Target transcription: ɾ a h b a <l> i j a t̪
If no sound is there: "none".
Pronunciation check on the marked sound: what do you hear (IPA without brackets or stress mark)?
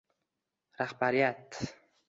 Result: ɾ